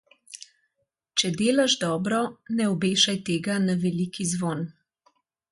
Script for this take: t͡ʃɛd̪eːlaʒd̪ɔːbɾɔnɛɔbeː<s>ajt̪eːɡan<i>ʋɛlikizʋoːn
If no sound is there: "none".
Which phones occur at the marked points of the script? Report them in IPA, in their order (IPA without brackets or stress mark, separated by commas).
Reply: ʃ, a